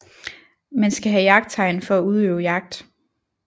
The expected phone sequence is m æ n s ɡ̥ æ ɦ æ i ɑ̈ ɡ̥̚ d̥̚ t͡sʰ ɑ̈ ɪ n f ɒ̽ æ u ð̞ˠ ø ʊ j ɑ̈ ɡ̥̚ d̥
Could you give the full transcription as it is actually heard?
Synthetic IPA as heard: m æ n s ɡ̥ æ ɦ æ j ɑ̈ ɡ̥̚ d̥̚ t͡sʰ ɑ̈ ɪ n f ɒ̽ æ u ð̞ˠ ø ʊ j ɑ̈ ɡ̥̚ d̥